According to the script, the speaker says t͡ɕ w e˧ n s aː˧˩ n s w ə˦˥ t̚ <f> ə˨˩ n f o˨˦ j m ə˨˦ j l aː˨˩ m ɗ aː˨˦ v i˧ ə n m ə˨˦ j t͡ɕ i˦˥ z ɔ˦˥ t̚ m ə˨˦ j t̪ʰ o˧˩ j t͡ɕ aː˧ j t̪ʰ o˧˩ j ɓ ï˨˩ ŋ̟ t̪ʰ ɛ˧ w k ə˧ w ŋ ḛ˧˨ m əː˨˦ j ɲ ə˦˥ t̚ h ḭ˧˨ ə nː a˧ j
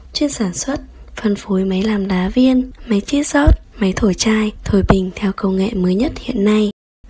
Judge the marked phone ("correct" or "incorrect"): correct